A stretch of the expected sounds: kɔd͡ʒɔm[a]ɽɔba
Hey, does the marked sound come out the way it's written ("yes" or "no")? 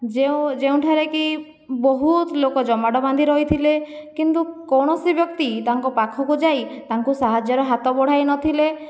yes